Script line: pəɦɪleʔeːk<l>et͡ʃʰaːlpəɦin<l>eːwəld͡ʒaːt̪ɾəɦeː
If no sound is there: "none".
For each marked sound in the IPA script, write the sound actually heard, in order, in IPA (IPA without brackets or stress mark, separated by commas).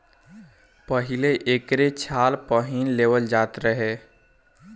ɾ, l